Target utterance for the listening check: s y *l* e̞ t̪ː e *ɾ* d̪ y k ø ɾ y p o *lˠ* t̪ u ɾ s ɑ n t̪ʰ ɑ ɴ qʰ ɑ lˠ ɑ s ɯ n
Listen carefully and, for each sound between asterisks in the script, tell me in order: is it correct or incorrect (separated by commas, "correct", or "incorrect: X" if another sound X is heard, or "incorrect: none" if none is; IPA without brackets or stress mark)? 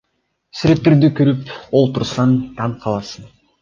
incorrect: ɾ, correct, correct